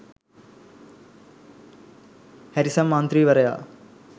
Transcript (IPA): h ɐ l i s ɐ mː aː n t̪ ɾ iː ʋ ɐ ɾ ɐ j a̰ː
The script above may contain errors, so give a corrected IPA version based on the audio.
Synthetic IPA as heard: h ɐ ɾ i s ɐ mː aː n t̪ ɾ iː ʋ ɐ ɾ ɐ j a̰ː